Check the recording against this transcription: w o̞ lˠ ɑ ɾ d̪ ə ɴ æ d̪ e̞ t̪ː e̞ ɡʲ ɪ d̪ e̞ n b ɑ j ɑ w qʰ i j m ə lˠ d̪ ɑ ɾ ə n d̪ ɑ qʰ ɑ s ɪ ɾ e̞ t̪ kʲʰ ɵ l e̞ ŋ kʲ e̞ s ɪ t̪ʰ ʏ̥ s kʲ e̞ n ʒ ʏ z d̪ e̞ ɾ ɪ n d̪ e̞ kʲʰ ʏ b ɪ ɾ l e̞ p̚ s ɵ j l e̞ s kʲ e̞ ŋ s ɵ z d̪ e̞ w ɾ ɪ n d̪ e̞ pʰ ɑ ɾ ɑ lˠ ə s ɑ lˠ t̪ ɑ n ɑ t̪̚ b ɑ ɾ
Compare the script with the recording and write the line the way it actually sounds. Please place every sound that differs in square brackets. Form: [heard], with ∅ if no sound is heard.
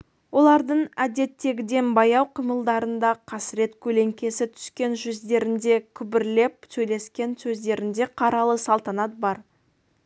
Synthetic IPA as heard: w o̞ lˠ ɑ ɾ d̪ ə ɴ æ d̪ e̞ t̪ː e̞ ɡʲ ɪ d̪ e̞ n b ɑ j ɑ w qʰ i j m ə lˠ d̪ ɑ ɾ ə n d̪ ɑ qʰ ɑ s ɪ ɾ e̞ t̪ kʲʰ ɵ l e̞ ŋ kʲ e̞ s ɪ t̪ʰ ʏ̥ s kʲ e̞ n ʒ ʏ z d̪ e̞ ɾ ɪ n d̪ e̞ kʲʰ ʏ b ɪ ɾ l e̞ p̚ s ɵ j l e̞ s kʲ e̞ [n] s ɵ z d̪ e̞ [∅] ɾ ɪ n d̪ e̞ [qʰ] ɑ ɾ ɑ lˠ ə s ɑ lˠ t̪ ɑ n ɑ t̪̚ b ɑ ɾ

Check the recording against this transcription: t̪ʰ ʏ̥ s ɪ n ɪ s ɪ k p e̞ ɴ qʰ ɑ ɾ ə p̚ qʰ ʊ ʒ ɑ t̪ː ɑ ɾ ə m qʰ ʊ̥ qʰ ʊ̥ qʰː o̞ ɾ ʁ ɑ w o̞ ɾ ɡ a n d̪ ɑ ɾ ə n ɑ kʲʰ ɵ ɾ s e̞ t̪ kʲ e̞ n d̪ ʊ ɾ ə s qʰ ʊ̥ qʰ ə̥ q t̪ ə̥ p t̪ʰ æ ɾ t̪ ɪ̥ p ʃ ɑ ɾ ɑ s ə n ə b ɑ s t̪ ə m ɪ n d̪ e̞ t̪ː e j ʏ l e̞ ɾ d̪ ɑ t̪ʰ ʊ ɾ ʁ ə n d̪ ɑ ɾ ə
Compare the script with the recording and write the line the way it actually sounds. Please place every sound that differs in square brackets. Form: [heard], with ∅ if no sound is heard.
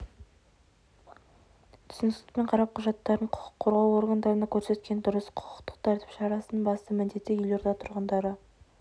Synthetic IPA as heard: t̪ʰ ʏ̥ s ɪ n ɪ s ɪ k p e̞ ɴ qʰ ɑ ɾ [ɑ] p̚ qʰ ʊ ʒ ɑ t̪ː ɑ ɾ ə [ɴ] qʰ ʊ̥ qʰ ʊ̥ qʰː o̞ ɾ ʁ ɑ w o̞ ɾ ɡ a n d̪ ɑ ɾ ə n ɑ kʲʰ ɵ ɾ s e̞ t̪ kʲ e̞ n d̪ ʊ ɾ ə s qʰ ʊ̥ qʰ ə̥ q t̪ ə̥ [q] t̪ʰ æ ɾ t̪ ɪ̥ p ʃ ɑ ɾ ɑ s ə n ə b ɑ s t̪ ə m ɪ n d̪ e̞ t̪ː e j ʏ l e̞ ɾ d̪ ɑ t̪ʰ ʊ ɾ ʁ ə n d̪ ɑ ɾ ə

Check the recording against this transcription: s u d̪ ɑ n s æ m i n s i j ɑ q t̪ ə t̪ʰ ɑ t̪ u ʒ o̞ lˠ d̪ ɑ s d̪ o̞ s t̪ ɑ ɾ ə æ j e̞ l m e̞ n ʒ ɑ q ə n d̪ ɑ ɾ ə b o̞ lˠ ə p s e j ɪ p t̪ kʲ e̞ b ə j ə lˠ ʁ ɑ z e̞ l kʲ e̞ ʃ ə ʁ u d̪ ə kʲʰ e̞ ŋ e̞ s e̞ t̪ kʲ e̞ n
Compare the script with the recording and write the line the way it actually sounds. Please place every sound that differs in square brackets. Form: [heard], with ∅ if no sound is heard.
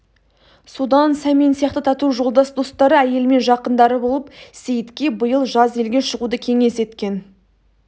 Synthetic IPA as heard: s u d̪ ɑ n s æ m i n s i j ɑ q t̪ ə t̪ʰ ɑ t̪ u ʒ o̞ lˠ d̪ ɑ s d̪ o̞ s t̪ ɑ ɾ ə æ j e̞ l m e̞ n ʒ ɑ q ə n d̪ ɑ ɾ ə b o̞ lˠ ə p s e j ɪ [∅] t̪ kʲ e̞ b ə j ə lˠ [ʒ] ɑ z e̞ l [ɡʲ] e̞ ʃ ə ʁ u d̪ ə kʲʰ e̞ ŋ e̞ s e̞ t̪ kʲ e̞ n

